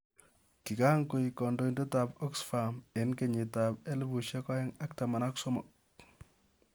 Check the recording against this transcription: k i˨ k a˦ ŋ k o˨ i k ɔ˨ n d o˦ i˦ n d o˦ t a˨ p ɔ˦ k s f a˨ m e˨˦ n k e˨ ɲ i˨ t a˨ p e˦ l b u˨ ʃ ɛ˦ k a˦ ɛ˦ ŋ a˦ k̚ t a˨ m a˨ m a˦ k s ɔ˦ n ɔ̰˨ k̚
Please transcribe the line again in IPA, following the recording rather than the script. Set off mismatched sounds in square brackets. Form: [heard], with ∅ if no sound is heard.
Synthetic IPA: k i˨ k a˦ ŋ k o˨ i k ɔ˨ n d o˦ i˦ n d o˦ t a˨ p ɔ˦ k s f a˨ m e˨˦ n k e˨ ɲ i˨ t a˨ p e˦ l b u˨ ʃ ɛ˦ k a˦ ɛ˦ ŋ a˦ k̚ t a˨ m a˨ [n] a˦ k s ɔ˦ [m] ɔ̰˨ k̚